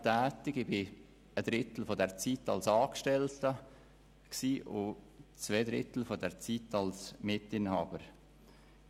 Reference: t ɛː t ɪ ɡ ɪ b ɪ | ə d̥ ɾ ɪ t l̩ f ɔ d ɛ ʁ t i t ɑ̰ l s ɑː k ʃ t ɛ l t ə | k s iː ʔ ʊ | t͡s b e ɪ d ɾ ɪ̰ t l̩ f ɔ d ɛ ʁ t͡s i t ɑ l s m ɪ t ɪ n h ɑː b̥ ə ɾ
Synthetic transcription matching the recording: t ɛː t ɪ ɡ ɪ b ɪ | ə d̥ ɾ ɪ t l̩ f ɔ d ɛ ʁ t͡s i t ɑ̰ l s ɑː k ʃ t ɛ l t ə | k s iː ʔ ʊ | t͡s v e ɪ d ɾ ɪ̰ t l̩ f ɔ d ɛ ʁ t͡s i t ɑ l s m ɪ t ɪ n h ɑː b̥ ə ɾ